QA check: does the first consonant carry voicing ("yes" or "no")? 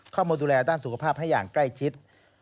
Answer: no